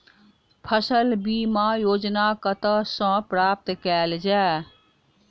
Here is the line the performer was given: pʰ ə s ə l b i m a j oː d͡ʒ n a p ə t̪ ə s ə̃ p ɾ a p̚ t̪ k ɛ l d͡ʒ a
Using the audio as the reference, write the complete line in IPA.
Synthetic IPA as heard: pʰ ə s ə l b i m a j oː d͡ʒ n a k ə t̪ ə s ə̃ p ɾ a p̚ t̪ k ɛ l d͡ʒ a